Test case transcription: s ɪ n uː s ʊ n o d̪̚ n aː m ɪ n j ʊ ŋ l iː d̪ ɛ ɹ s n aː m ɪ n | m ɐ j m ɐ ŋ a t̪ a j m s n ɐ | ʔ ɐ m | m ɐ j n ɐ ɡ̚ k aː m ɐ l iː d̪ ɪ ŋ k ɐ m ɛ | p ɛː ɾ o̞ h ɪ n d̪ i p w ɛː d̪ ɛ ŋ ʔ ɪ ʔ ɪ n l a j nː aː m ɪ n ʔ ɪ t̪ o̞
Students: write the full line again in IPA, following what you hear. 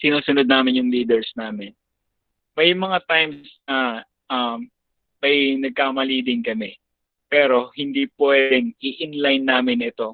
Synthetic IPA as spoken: s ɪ n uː s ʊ n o d̪̚ n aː m ɪ n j ʊ ŋ l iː d̪ ɛ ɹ s n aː m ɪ n | m ɐ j m ɐ ŋ a t̪ a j m s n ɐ | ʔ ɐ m | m ɐ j n ɐ ɡ̚ k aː m ɐ l iː d̪ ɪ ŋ k ɐ m ɛ | p ɛː ɾ o̞ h ɪ n d̪ i p w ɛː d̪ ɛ ŋ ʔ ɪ ʔ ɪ n l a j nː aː m ɪ n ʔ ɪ t̪ o̞